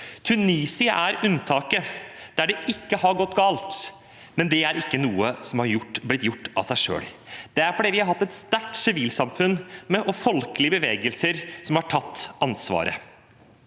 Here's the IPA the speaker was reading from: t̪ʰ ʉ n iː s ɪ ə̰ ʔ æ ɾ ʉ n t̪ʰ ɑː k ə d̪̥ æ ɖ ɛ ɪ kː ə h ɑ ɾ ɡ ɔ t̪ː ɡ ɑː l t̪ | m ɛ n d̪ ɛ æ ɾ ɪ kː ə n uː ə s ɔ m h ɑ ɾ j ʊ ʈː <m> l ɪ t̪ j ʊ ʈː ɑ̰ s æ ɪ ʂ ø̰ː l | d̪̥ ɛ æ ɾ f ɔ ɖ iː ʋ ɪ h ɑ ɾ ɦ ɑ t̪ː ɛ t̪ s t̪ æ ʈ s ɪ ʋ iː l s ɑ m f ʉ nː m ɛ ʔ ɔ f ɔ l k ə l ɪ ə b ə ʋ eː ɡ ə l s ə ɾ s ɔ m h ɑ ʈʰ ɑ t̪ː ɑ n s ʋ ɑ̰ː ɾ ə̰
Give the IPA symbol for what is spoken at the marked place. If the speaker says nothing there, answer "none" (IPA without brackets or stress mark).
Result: b